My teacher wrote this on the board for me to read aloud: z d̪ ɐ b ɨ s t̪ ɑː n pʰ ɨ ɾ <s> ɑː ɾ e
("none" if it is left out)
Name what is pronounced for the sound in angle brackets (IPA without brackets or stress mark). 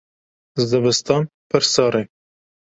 s